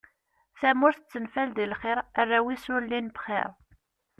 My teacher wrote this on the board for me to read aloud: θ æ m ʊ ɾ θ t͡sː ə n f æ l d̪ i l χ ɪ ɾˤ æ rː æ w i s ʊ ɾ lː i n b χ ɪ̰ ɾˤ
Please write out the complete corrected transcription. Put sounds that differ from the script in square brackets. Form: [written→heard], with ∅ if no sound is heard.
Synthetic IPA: θ æ m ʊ ɾ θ t͡sː ə n f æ l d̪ i l χ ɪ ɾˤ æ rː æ w i s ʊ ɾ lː i n b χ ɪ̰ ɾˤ